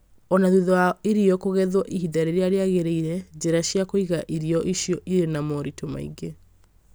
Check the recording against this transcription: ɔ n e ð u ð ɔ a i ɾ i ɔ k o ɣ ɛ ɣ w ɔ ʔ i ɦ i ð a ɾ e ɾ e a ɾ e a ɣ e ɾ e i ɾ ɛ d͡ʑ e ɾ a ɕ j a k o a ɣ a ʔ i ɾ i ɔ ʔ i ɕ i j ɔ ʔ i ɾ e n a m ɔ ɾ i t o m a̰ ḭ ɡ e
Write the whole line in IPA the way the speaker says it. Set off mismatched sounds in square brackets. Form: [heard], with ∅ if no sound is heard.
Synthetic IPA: ɔ n [a] ð u ð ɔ a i ɾ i ɔ k o ɣ ɛ [ð] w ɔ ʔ i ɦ i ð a ɾ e ɾ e a ɾ e a ɣ e ɾ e i ɾ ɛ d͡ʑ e ɾ a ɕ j a k o [i] ɣ a ʔ i ɾ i ɔ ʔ i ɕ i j ɔ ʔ i ɾ e n a m ɔ ɾ i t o m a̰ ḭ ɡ e